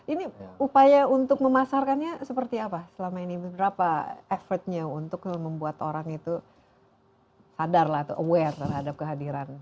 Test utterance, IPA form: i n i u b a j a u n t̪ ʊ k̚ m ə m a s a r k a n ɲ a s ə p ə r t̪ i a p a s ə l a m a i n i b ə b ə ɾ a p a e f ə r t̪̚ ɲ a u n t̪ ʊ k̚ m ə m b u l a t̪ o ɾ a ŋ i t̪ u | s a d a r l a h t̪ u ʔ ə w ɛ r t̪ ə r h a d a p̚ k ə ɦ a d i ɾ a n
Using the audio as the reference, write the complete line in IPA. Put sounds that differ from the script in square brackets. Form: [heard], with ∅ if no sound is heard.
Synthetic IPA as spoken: i n i u [p] a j a u n t̪ ʊ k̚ m ə m a s a r k a n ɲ a s ə p ə r t̪ i a p a s ə l a m a i n i b ə b ə ɾ a p a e f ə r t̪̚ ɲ a u n t̪ ʊ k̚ m ə m b u [∅] a t̪ o ɾ a ŋ i t̪ u | s a d a r l a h t̪ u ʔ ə w ɛ r t̪ ə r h a d a p̚ k ə ɦ a d i ɾ a n